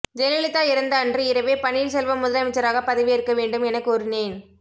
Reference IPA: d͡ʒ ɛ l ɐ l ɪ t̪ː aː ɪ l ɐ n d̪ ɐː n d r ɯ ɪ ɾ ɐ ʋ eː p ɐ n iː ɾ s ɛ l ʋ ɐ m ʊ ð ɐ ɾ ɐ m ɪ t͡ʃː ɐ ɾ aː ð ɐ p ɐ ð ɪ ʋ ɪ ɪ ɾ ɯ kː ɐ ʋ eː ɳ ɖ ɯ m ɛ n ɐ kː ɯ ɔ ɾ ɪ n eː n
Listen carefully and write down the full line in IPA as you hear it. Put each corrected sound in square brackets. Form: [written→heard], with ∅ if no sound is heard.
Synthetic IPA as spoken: d͡ʒ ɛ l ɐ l ɪ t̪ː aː ɪ [l→ɾ] ɐ n d̪ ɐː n d r ɯ ɪ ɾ ɐ ʋ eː p ɐ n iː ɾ s ɛ l ʋ ɐ m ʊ ð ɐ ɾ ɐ m ɪ t͡ʃː ɐ ɾ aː [ð→ɣ] ɐ p ɐ ð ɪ ʋ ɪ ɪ ɾ ɯ kː ɐ ʋ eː ɳ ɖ ɯ m ɛ n ɐ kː ɯ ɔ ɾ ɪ n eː n

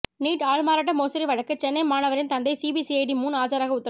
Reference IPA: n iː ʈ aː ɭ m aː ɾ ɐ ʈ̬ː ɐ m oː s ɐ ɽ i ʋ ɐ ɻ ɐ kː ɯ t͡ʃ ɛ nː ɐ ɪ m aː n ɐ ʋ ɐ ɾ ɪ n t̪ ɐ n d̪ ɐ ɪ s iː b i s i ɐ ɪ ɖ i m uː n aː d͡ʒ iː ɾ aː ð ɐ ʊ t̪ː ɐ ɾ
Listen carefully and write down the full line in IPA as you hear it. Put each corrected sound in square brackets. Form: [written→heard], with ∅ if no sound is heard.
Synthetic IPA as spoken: n iː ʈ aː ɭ m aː ɾ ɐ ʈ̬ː ɐ m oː s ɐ [ɽ→ɾ] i ʋ ɐ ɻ ɐ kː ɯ t͡ʃ ɛ nː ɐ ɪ m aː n ɐ ʋ ɐ ɾ ɪ n t̪ ɐ n d̪ ɐ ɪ s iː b i s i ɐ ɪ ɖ i m uː n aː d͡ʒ [iː→aː] ɾ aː [ð→ɣ] ɐ ʊ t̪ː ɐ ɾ

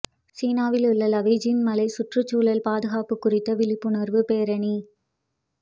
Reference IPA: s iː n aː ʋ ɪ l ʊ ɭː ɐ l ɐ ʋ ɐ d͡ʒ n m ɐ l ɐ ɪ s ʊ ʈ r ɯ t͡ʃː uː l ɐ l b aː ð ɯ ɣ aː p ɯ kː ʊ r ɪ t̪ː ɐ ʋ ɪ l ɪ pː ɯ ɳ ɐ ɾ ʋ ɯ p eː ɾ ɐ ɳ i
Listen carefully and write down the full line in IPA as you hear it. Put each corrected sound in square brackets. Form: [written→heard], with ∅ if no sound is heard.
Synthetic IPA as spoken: s iː n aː ʋ ɪ l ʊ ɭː ɐ l ɐ ʋ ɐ d͡ʒ n m ɐ l ɐ ɪ s ʊ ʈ r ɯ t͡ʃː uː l ɐ l [b→p] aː ð ɯ ɣ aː p ɯ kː ʊ r ɪ t̪ː ɐ ʋ ɪ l ɪ pː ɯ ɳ ɐ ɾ ʋ ɯ p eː ɾ ɐ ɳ i

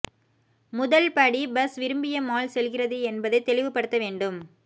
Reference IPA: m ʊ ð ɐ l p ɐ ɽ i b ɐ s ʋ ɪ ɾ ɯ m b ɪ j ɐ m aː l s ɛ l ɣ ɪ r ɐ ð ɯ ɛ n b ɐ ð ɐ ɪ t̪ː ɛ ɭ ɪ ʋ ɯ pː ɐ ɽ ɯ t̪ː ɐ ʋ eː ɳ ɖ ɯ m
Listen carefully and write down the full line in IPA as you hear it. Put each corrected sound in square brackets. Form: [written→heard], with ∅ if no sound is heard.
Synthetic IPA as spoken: m ʊ ð ɐ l p ɐ ɽ i b ɐ s ʋ ɪ ɾ ɯ m b ɪ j ɐ m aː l s ɛ l ɣ ɪ r ɐ ð ɯ ɛ n b ɐ ð ɐ ɪ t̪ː ɛ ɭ ɪ ʋ ɯ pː ɐ ɽ ɯ t̪ː ɐ ʋ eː ɳ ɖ ɯ m

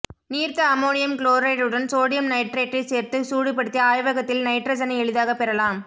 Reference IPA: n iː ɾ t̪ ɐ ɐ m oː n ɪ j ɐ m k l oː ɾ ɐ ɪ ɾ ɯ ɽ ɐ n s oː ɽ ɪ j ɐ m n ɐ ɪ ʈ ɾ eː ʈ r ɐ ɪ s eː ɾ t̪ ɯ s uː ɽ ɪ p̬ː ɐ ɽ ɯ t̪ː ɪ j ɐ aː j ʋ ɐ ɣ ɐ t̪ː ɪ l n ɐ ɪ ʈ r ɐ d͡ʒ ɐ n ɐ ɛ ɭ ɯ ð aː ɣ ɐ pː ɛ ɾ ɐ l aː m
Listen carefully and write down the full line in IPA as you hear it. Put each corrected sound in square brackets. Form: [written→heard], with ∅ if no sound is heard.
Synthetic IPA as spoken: n iː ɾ t̪ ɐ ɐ m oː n ɪ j ɐ m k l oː ɾ ɐ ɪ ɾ ɯ ɽ ɐ n s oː ɽ ɪ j ɐ m n ɐ ɪ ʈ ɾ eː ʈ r ɐ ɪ s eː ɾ t̪ ɯ s uː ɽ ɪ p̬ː ɐ ɽ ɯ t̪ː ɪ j ɐ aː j ʋ ɐ ɣ ɐ t̪ː ɪ l n ɐ ɪ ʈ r ɐ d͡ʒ ɐ n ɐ ɛ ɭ ɯ ð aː ɣ ɐ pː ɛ ɾ ɐ l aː m

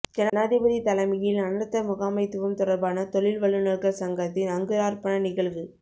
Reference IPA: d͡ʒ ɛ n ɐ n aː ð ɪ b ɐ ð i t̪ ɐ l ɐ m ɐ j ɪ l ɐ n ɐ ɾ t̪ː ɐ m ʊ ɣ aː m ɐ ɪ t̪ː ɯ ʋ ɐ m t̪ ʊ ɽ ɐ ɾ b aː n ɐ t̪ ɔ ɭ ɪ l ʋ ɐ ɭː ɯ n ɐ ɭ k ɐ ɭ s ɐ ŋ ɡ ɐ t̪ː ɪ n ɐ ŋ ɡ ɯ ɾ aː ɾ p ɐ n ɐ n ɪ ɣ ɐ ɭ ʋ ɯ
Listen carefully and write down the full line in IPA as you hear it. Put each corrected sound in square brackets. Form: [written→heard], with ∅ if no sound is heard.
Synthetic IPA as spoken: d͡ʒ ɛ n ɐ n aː ð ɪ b ɐ ð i t̪ ɐ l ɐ m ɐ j ɪ l ɐ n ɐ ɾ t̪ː ɐ m ʊ ɣ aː m ɐ ɪ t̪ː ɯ ʋ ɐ m t̪ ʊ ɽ ɐ ɾ b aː n ɐ t̪ ɔ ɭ ɪ l ʋ ɐ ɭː ɯ n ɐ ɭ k ɐ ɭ s ɐ ŋ ɡ ɐ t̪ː ɪ n ɐ ŋ ɡ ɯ ɾ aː ɾ p ɐ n ɐ n ɪ ɣ ɐ ɭ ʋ ɯ

